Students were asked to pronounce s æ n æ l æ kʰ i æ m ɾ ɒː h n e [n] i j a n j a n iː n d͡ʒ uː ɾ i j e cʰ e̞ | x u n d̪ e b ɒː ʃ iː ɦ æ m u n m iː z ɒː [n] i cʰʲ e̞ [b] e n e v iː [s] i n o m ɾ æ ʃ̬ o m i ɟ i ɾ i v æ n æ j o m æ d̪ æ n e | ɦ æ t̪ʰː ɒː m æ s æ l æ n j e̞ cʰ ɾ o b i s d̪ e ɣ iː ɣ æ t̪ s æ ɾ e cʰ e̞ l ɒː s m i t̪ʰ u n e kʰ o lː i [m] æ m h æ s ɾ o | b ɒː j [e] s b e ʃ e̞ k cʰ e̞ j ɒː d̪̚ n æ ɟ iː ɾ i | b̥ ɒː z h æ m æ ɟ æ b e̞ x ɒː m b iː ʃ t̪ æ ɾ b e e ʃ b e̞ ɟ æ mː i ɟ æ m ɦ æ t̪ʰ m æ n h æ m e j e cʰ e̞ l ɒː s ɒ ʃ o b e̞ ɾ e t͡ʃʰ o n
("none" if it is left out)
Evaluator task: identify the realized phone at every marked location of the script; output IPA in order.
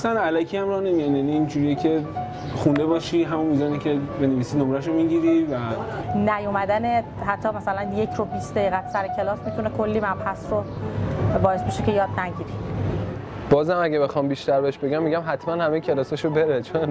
m, n, b, s, m, e

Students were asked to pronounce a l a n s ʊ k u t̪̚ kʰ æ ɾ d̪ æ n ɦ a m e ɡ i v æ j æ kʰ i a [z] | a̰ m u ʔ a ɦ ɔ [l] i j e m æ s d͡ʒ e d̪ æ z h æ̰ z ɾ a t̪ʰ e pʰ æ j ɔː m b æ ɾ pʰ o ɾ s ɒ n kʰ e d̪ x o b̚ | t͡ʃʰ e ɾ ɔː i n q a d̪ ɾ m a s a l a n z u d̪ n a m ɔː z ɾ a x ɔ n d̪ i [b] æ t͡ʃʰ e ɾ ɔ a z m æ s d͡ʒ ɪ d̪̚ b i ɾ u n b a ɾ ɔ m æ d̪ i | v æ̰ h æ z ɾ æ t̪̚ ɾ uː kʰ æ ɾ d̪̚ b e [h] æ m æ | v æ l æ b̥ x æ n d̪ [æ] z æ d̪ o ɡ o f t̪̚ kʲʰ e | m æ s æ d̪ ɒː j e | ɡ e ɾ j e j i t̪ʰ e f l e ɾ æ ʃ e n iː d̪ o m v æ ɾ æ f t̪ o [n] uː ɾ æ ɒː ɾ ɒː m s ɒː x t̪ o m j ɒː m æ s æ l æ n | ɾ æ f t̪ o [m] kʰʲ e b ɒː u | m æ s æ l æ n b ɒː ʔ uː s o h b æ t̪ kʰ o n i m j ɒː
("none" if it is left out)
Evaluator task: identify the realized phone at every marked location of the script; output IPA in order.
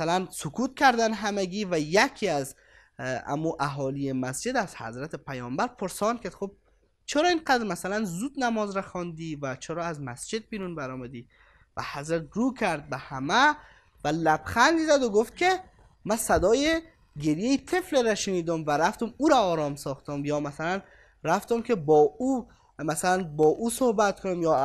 z, l, v, h, i, m, m

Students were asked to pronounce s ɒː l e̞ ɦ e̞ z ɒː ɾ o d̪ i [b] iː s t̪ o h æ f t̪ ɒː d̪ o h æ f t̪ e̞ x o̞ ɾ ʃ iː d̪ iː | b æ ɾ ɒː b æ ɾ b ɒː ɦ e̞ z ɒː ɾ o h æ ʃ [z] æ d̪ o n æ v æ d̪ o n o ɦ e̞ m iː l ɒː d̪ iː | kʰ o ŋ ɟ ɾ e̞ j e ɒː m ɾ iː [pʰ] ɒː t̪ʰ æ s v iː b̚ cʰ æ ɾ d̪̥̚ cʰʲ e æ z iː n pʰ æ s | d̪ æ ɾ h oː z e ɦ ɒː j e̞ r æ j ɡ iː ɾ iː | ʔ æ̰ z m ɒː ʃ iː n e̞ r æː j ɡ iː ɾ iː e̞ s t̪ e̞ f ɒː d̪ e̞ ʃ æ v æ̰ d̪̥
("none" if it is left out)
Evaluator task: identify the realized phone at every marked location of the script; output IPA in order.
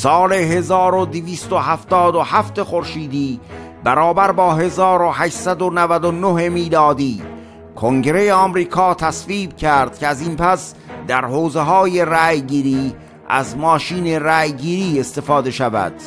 v, s, kʰ

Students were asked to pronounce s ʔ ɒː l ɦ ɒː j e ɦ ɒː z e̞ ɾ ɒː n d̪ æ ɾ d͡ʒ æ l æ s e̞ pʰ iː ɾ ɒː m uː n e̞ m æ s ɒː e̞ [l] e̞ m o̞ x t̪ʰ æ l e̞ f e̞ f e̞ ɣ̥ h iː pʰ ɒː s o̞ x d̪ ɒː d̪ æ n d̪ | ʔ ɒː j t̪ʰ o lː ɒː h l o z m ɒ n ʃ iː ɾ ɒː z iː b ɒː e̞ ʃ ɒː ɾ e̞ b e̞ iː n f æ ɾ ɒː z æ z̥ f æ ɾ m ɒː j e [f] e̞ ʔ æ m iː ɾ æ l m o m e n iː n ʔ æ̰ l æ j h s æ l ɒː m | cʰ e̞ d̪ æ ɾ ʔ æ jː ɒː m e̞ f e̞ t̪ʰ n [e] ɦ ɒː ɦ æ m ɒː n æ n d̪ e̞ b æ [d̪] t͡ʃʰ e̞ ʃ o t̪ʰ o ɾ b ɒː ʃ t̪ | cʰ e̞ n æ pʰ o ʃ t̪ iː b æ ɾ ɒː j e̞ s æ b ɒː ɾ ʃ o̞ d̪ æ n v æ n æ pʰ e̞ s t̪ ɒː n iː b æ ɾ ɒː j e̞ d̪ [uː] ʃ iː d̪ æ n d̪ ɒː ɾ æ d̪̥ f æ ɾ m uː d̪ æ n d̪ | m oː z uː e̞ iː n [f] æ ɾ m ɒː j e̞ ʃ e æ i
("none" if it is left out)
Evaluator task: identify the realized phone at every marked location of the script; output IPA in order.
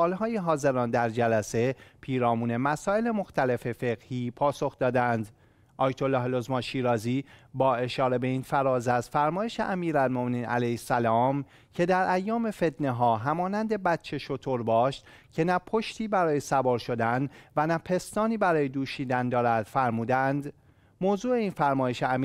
l, ʃ, e, t̪, uː, f

